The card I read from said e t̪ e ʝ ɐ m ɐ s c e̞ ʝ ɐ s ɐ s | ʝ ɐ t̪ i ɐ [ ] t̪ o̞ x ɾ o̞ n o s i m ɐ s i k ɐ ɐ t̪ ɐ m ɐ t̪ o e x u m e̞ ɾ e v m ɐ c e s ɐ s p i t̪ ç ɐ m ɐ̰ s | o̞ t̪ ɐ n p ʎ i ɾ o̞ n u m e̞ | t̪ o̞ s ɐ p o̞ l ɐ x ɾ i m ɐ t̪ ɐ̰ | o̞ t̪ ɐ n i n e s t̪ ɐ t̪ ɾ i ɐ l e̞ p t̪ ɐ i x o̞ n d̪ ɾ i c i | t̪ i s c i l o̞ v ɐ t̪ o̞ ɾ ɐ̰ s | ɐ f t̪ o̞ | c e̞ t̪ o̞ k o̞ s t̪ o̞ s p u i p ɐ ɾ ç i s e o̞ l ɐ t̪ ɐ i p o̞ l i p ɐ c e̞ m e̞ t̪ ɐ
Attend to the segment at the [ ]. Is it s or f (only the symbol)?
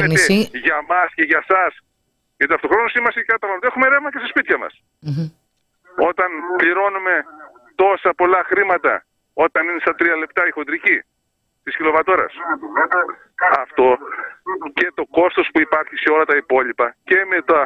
f